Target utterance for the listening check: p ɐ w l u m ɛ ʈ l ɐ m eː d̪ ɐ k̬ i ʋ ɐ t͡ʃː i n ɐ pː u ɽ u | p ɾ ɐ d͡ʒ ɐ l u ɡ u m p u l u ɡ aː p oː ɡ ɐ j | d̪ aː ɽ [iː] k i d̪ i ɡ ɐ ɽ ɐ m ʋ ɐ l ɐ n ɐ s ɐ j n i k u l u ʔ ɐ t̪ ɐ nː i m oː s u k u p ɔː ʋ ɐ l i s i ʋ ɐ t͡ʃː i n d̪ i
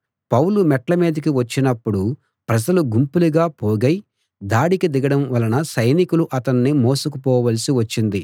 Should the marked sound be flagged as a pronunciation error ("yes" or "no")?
yes